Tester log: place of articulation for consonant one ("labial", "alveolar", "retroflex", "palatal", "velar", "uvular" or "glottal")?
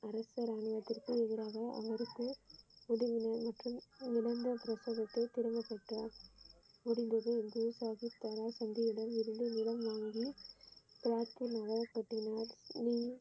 alveolar